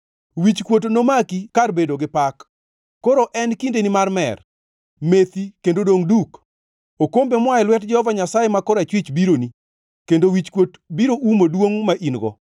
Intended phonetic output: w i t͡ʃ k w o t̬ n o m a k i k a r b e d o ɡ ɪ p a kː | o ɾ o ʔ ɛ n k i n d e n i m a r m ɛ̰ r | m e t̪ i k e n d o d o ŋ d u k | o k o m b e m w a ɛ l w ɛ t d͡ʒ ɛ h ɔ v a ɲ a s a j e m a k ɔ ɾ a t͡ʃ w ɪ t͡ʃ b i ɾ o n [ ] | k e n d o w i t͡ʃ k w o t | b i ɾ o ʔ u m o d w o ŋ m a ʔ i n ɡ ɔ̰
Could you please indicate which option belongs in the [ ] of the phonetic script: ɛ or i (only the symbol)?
i